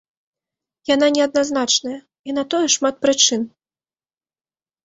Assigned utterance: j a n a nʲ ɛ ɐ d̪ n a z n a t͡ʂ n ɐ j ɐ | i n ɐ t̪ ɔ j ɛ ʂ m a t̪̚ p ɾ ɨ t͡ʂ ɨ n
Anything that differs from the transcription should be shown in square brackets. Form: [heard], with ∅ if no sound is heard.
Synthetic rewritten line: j a n a nʲ ɛ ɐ d̪ n a z n a t͡ʂ n ɐ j ɐ | i n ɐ t̪ ɔ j ɛ ʂ m a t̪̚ p ɾ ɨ t͡ʂ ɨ n